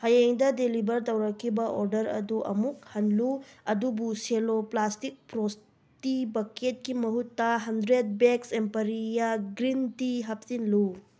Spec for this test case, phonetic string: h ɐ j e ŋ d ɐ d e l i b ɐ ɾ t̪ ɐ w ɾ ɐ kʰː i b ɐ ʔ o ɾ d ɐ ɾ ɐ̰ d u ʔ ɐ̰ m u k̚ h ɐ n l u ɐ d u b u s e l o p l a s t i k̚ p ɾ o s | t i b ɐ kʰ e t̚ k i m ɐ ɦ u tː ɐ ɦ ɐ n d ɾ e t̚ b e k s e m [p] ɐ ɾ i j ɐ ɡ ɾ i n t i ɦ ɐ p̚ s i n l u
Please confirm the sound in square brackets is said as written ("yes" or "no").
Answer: yes